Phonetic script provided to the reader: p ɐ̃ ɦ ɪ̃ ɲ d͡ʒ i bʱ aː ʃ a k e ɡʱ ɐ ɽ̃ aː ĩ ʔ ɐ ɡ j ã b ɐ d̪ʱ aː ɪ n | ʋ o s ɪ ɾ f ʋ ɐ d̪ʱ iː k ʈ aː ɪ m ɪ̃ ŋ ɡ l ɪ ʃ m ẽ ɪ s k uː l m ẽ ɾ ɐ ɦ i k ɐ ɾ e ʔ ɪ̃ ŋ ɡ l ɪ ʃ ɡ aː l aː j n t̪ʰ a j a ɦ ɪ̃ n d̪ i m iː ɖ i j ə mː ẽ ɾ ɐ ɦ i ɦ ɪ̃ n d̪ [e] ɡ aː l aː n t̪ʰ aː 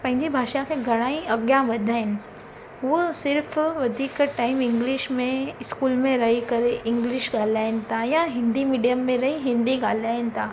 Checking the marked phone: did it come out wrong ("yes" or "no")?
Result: yes